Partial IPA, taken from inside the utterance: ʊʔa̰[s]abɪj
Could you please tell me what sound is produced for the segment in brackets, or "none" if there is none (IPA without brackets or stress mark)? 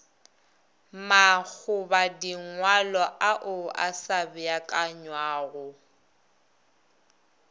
s